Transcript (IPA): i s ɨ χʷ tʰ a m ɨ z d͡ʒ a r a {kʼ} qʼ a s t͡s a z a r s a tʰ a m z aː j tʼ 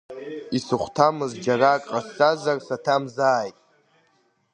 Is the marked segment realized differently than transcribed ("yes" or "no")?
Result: no